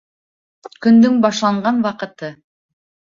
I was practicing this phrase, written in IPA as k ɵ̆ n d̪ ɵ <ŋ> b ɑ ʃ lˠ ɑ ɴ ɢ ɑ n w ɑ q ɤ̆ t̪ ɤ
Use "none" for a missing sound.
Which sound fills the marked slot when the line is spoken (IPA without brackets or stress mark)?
ŋ